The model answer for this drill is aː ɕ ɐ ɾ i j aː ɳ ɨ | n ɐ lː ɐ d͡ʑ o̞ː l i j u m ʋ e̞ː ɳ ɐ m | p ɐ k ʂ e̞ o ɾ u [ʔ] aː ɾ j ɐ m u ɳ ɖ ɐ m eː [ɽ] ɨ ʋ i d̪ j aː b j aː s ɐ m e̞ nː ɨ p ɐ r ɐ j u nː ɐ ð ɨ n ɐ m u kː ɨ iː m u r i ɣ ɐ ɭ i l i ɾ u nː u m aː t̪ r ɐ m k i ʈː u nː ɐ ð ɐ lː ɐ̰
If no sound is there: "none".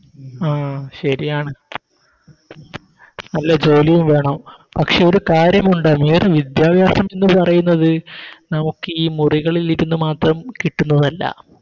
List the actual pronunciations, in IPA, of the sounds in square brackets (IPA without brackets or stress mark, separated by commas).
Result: k, r